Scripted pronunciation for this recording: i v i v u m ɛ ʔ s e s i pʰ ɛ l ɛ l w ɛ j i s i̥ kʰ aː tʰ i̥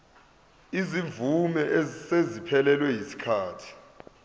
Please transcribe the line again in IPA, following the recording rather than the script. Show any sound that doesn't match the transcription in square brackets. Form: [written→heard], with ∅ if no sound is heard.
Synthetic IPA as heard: i [v→z] i v u m ɛ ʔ s e [s→z] i pʰ ɛ l ɛ l w ɛ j i s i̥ kʰ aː tʰ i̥